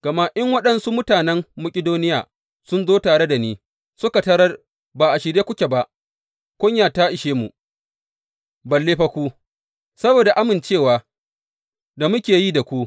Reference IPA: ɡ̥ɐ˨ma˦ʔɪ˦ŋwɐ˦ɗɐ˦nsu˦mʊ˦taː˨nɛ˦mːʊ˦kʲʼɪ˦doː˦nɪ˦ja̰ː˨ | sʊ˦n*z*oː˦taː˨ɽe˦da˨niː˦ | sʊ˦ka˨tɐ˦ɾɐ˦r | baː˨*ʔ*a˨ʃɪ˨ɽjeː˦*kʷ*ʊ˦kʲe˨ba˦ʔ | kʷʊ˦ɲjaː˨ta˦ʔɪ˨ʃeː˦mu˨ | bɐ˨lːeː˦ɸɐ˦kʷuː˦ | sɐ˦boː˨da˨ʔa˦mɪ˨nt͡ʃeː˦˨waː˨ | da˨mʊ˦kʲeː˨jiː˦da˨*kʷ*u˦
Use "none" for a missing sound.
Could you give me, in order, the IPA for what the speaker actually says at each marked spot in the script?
z, ʔ, kʷ, kʷ

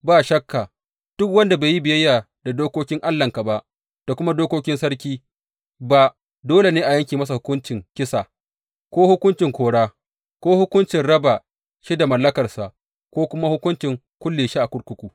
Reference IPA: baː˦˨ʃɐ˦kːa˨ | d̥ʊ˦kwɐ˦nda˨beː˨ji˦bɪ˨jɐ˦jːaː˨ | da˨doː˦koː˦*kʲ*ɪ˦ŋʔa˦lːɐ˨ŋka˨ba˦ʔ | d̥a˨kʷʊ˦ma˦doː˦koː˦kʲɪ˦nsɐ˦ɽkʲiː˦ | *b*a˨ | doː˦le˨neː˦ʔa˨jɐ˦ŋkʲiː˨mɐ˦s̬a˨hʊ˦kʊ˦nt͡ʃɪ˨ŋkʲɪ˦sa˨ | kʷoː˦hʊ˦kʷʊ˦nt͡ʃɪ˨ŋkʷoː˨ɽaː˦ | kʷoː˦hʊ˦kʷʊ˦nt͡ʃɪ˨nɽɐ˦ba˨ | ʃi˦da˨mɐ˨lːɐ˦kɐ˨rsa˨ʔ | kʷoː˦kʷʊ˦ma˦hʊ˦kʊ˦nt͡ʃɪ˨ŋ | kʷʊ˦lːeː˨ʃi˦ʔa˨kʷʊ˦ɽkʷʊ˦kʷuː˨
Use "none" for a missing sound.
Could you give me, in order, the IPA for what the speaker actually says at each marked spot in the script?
kʲ, b

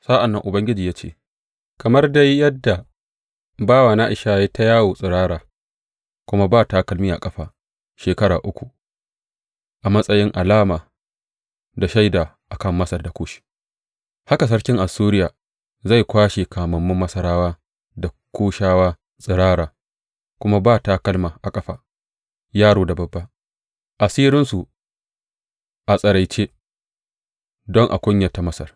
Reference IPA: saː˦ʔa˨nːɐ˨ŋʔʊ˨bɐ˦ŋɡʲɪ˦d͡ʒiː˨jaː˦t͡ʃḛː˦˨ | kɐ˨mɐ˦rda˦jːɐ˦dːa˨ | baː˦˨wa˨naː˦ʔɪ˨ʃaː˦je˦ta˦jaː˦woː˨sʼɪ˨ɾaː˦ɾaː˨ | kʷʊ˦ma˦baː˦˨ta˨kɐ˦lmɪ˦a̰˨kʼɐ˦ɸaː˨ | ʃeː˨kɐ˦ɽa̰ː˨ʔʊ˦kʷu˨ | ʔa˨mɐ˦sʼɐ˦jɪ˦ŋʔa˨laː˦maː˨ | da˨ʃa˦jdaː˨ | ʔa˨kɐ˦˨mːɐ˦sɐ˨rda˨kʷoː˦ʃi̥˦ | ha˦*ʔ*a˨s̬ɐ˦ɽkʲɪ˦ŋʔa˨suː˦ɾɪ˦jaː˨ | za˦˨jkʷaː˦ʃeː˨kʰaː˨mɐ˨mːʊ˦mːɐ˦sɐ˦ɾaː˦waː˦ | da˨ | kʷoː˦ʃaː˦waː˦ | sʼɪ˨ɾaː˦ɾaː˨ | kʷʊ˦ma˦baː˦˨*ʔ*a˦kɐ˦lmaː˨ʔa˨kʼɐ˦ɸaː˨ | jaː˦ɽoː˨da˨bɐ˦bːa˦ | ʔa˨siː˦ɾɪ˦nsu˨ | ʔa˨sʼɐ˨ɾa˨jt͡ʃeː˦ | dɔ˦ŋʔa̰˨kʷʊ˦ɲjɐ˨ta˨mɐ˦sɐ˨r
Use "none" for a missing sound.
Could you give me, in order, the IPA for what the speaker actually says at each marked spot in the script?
k, t

